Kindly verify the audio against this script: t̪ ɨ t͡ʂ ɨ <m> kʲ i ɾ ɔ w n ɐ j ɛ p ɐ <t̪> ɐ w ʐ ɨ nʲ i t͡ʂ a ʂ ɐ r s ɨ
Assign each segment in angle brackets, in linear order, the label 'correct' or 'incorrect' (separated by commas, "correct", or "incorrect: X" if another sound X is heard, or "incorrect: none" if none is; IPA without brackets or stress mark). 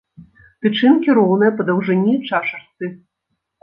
incorrect: n, incorrect: d̪